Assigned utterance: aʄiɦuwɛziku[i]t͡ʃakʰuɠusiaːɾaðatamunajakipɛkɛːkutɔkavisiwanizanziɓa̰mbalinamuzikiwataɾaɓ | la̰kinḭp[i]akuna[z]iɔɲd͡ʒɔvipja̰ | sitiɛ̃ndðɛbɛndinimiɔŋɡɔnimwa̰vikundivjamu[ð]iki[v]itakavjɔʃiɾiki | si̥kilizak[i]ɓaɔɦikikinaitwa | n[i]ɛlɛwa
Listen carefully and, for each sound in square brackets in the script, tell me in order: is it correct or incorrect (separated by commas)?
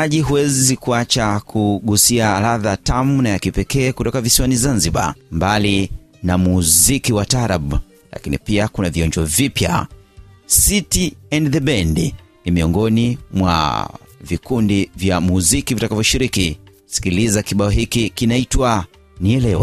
incorrect, correct, incorrect, incorrect, correct, correct, correct